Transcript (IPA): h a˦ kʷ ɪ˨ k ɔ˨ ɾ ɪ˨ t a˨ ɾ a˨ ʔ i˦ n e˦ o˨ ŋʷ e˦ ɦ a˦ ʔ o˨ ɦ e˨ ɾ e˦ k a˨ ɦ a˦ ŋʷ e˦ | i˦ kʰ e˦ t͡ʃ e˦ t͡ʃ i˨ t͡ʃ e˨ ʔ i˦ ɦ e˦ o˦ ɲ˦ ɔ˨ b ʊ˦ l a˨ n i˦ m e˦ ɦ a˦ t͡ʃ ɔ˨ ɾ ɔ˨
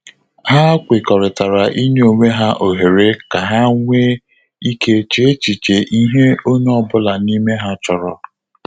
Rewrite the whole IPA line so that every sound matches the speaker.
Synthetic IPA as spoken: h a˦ kʷ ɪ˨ k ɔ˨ ɾ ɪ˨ t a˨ ɾ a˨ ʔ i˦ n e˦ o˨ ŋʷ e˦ ɦ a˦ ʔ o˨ ɦ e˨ ɾ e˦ k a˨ ɦ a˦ ŋʷ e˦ | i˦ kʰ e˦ t͡ʃ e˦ t͡ʃ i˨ t͡ʃ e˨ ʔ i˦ ɦ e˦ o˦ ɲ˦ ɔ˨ b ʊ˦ l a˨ n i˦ m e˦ ɦ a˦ t͡ʃ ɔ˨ ɾ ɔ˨